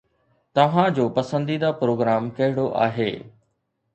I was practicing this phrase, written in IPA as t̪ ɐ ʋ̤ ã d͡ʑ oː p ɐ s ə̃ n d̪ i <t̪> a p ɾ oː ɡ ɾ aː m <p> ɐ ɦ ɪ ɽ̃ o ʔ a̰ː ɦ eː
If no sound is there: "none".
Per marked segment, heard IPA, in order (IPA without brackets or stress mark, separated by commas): d̪, k